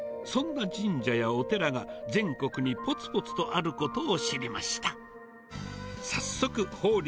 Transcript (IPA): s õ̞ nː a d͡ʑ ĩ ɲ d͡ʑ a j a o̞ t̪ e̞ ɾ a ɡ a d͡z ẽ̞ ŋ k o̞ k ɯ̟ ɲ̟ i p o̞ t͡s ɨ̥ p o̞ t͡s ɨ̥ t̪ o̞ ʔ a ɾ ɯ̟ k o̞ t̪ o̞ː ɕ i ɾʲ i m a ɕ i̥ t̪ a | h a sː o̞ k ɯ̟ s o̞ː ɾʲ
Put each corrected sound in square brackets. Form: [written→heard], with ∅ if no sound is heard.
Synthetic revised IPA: s õ̞ nː a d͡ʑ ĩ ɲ d͡ʑ a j a o̞ t̪ e̞ ɾ a ɡ a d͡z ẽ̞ ŋ k o̞ k ɯ̟ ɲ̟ i p o̞ t͡s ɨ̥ p o̞ t͡s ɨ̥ t̪ o̞ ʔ a ɾ ɯ̟ k o̞ t̪ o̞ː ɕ i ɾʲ i m a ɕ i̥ t̪ a | [h→s] a sː o̞ k ɯ̟ [s→h] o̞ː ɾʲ